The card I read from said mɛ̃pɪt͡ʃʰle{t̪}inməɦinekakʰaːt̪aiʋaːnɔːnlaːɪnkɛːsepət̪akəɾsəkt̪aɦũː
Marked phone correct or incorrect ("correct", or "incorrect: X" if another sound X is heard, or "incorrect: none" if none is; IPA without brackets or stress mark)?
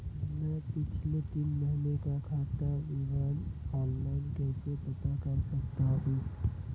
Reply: correct